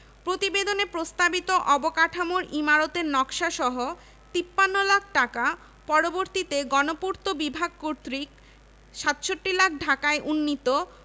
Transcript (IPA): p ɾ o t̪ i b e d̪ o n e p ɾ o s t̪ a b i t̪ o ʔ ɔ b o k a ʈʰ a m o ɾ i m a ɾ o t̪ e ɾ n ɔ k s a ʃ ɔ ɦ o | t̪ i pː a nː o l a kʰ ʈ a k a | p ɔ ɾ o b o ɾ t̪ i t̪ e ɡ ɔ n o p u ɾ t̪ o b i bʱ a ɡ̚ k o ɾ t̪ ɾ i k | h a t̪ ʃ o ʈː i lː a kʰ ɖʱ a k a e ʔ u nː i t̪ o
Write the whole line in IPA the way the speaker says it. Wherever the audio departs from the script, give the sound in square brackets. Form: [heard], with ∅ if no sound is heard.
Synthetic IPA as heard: p ɾ o t̪ i b e d̪ o n e p ɾ o s t̪ a b i t̪ o ʔ ɔ b o k a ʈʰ a m o ɾ i m a ɾ o t̪ e ɾ n ɔ k [ʃ] a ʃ ɔ ɦ o | t̪ i pː a nː o l a kʰ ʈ a k a | p ɔ ɾ o b o ɾ t̪ i t̪ e ɡ ɔ n o p u ɾ t̪ o b i bʱ a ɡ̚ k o ɾ t̪ ɾ i k | [ʃ] a t̪ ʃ o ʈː i [l] a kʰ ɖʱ a k a e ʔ u nː i t̪ o